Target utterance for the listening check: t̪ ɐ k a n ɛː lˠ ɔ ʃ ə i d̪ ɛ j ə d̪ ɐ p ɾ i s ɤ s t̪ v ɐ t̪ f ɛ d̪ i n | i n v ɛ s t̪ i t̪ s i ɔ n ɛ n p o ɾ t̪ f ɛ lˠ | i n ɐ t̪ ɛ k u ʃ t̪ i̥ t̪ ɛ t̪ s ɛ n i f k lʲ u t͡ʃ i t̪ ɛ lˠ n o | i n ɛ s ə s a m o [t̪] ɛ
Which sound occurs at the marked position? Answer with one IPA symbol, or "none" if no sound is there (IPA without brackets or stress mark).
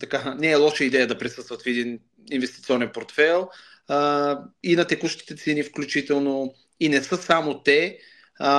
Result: t̪